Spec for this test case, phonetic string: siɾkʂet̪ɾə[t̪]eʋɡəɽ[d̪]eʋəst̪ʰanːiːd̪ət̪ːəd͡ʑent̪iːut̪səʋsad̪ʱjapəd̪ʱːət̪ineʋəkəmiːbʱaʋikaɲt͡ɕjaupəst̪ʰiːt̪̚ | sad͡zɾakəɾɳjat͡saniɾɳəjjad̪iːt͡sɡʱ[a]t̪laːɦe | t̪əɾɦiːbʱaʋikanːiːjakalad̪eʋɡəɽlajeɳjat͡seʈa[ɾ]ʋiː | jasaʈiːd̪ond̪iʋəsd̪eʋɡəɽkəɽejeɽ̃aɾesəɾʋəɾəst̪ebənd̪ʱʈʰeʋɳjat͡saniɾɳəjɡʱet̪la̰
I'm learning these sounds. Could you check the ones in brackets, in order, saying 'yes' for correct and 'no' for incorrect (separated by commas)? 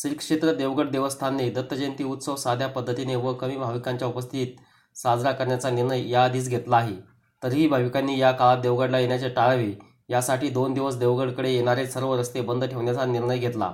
no, yes, no, no